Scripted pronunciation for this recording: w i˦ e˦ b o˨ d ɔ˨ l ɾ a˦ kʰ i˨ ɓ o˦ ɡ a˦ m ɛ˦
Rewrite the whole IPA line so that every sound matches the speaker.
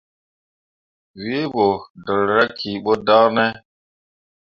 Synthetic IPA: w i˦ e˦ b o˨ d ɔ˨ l ɾ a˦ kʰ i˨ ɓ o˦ d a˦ n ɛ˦